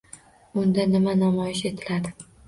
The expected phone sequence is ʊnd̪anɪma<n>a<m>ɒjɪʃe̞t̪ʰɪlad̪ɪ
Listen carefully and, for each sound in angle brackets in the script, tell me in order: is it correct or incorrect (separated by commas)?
correct, correct